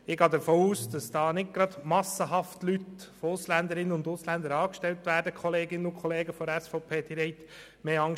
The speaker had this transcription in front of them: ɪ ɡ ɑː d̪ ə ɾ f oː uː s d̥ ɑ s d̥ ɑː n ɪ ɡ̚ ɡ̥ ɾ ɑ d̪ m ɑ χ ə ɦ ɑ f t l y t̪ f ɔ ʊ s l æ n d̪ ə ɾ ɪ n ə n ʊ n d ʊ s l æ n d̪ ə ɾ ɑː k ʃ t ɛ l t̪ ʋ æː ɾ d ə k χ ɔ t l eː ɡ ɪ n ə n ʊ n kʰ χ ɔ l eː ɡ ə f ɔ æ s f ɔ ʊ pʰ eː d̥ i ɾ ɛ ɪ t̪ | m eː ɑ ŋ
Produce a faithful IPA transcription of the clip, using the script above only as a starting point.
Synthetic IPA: ɪ ɡ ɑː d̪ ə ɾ f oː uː s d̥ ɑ s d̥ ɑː n ɪ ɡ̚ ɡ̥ ɾ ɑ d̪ m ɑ s ə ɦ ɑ f t l y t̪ f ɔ ʊ s l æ n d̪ ə ɾ ɪ n ə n ʊ n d ʊ s l æ n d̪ ə ɾ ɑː k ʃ t ɛ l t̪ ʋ æː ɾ d ə k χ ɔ l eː ɡ ɪ n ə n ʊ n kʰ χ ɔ l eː ɡ ə f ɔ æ s f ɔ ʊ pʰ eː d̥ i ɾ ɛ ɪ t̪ | m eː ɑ ŋ